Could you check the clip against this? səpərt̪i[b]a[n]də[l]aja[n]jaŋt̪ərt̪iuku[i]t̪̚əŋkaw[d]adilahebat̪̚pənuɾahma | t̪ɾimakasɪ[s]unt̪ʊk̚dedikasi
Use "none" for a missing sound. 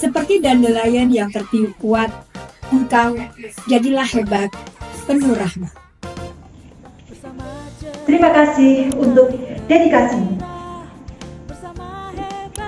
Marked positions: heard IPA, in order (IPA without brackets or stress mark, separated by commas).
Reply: d, n, l, n, a, d͡ʒ, h